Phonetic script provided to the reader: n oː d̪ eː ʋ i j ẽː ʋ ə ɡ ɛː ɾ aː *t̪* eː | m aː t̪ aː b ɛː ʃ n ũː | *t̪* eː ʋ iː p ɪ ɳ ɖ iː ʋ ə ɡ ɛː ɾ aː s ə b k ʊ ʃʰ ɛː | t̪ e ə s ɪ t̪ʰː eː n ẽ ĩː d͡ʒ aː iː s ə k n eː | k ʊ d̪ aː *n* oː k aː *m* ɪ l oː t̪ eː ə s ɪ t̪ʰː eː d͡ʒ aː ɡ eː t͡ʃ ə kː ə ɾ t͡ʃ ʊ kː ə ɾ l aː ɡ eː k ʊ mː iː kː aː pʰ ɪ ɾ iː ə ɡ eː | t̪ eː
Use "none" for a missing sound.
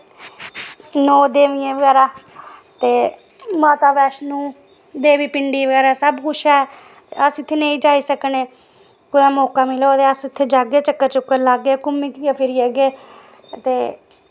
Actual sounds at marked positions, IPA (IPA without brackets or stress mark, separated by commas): t̪, d̪, m, m